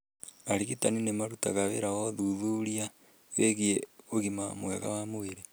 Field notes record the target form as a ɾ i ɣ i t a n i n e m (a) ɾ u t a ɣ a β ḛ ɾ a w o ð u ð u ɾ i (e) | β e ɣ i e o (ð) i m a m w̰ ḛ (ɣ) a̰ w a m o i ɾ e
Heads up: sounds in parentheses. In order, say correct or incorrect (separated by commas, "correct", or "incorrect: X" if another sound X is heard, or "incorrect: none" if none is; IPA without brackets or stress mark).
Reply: correct, incorrect: a, incorrect: ɣ, correct